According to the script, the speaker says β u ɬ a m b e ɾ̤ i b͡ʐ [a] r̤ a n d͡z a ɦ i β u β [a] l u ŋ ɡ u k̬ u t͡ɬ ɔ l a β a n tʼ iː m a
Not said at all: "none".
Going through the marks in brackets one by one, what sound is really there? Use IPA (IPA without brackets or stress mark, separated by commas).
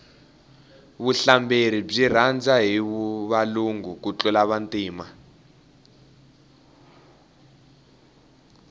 i, a